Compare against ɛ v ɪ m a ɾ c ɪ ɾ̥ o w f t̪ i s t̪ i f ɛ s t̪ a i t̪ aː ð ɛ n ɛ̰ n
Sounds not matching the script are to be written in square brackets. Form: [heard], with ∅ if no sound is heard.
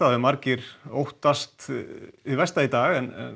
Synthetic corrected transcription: [a] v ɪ m a ɾ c ɪ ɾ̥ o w [h] t̪ [a] s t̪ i [v] ɛ s t̪ a i t̪ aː [ɣ] ɛ n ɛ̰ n